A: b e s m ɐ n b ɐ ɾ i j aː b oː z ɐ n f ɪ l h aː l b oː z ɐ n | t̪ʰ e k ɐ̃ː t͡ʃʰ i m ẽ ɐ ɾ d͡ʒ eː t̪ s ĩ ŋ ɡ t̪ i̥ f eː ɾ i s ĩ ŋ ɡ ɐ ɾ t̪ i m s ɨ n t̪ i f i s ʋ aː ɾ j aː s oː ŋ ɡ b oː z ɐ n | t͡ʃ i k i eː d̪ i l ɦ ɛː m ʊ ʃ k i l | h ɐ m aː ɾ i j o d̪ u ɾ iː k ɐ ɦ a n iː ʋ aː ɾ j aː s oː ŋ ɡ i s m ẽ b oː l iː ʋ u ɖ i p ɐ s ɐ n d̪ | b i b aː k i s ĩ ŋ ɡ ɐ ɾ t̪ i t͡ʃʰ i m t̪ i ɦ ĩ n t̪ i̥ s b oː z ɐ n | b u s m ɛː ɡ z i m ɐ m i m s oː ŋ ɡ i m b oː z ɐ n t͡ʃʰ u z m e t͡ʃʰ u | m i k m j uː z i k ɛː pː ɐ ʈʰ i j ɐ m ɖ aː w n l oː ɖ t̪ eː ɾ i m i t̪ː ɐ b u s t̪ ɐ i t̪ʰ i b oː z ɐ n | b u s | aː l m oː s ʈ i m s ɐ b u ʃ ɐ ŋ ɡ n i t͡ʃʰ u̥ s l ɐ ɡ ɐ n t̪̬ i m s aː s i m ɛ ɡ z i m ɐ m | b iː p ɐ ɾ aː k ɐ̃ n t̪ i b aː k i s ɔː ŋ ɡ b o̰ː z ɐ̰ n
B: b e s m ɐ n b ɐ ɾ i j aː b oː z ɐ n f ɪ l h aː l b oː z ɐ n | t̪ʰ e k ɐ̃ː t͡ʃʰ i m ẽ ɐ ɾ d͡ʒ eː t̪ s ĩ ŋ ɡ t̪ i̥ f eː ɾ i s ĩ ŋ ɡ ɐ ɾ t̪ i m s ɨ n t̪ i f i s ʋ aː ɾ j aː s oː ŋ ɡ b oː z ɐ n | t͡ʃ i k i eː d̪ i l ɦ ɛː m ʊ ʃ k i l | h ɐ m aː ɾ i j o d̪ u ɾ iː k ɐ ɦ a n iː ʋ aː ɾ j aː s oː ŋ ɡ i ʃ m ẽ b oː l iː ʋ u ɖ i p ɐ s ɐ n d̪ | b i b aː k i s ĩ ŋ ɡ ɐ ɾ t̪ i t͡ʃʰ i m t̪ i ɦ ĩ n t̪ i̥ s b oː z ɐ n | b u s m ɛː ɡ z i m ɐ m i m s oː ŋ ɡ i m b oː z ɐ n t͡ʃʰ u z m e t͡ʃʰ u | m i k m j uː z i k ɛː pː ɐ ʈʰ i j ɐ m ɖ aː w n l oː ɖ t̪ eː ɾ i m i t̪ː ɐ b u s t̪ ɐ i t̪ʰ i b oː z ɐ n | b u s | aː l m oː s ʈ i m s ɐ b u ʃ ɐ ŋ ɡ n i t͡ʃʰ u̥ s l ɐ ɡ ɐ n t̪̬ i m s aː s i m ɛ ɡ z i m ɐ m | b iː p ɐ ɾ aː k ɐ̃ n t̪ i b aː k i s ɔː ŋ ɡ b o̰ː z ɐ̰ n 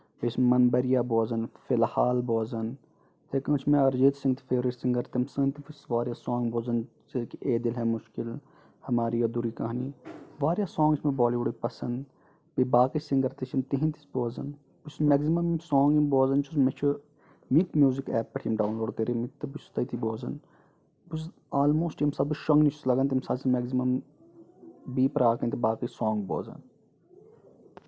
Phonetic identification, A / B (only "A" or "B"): A